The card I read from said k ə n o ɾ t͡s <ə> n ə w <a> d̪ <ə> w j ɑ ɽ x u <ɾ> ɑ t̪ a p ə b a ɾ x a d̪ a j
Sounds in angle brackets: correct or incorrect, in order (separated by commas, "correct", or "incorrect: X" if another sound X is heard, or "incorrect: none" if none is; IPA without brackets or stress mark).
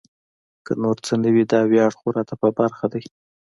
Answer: correct, incorrect: i, incorrect: ɑ, correct